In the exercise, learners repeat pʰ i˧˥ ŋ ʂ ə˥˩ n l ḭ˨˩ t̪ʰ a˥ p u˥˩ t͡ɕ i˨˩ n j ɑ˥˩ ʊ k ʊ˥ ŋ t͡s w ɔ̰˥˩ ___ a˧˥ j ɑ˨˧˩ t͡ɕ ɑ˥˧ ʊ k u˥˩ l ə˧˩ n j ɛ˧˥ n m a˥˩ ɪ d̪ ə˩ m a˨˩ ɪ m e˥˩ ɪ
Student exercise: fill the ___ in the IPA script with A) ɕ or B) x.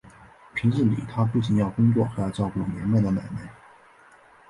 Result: B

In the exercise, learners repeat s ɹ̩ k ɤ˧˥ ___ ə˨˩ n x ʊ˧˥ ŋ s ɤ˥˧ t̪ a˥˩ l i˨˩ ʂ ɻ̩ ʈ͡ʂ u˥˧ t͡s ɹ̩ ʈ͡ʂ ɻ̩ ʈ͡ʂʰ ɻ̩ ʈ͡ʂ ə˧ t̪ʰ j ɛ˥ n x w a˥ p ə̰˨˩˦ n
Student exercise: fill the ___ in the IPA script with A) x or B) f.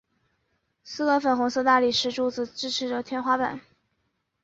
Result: B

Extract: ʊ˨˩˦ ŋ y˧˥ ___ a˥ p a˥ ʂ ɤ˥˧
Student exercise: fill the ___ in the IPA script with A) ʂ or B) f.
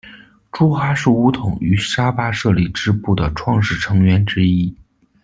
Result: A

